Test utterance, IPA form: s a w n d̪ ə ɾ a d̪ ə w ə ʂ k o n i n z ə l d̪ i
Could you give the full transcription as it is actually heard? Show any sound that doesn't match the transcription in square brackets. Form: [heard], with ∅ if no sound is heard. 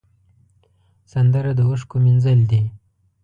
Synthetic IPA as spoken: s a [∅] n d̪ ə ɾ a d̪ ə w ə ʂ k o [m] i n z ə l d̪ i